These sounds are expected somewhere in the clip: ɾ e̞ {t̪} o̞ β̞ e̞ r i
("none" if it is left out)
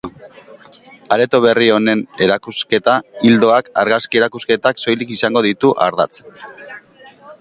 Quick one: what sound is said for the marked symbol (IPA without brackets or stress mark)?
t̪